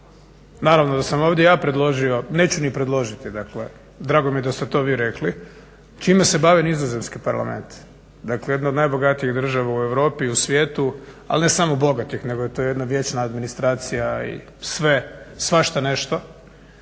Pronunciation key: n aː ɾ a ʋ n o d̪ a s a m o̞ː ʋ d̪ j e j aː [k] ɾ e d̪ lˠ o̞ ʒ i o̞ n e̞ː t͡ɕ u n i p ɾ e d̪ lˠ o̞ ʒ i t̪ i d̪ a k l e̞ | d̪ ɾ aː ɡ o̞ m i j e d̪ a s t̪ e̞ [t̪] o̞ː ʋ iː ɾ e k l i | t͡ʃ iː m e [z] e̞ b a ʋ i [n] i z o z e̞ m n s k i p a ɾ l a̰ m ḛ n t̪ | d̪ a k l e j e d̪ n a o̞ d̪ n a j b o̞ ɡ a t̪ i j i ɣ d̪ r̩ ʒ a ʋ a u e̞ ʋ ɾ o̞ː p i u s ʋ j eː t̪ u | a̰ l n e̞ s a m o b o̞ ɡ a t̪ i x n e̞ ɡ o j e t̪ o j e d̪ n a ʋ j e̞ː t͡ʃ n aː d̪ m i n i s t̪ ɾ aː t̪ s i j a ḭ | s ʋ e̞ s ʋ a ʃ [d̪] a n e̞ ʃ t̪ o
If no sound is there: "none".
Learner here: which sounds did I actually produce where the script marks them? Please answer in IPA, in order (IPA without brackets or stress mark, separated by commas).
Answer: p, t̪, s, n, t̪